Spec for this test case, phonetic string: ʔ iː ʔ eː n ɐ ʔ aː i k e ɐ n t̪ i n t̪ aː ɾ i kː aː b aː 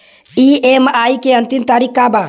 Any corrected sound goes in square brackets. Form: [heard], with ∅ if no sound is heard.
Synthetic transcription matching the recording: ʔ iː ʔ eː [m] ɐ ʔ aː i k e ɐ n t̪ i n t̪ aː ɾ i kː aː b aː